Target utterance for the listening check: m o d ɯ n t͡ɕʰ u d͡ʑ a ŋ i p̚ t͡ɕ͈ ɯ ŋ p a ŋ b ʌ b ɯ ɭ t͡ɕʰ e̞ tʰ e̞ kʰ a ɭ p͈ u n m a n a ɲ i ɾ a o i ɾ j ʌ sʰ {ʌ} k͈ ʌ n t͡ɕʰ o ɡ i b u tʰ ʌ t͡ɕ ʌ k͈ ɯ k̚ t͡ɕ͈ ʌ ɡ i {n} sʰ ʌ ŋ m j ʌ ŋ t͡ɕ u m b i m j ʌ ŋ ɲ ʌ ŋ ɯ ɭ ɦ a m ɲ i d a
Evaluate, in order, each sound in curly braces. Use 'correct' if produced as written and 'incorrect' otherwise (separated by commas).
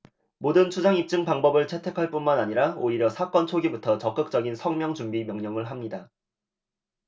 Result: incorrect, correct